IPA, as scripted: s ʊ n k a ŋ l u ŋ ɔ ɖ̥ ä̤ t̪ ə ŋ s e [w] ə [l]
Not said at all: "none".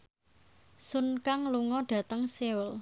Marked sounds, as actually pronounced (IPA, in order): w, l

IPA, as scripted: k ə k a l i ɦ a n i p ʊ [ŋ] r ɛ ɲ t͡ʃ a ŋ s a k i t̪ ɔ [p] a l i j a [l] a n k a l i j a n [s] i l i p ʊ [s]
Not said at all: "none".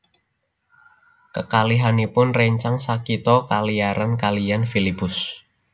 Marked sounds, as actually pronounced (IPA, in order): n, k, ɾ, f, s

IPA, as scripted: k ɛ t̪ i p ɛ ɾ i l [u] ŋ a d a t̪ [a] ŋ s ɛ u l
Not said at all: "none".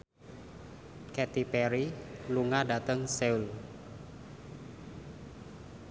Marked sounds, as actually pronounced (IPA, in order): u, ə

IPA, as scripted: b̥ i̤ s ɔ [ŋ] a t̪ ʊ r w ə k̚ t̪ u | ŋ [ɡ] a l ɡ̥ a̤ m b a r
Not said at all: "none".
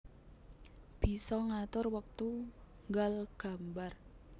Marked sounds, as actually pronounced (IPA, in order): ŋ, ɡ

